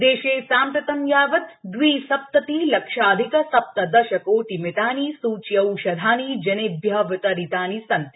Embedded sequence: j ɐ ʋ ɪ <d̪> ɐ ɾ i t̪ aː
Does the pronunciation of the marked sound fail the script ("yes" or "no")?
yes